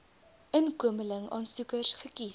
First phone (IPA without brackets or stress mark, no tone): ə